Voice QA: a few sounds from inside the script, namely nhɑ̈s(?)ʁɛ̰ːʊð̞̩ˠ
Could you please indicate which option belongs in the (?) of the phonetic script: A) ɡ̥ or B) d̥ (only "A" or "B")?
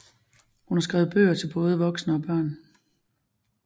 A